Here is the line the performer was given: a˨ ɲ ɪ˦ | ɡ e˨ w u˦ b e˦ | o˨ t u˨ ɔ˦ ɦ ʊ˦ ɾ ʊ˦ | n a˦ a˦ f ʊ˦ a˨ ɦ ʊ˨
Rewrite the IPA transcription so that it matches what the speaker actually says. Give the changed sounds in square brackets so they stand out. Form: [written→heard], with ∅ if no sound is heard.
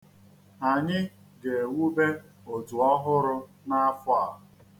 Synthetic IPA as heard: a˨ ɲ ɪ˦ | ɡ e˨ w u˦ b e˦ | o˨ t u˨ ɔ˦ ɦ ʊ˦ ɾ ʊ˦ | n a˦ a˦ f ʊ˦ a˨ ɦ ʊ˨